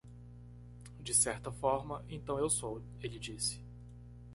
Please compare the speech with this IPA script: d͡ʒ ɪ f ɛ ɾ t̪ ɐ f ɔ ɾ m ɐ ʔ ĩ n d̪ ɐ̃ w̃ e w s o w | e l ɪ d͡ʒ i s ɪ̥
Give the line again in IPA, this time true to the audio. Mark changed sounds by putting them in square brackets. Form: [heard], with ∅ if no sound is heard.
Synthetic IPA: d͡ʒ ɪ [s] ɛ ɾ t̪ ɐ f ɔ ɾ m ɐ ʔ [ẽ] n [t̪] ɐ̃ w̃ e w s o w | e l ɪ d͡ʒ i s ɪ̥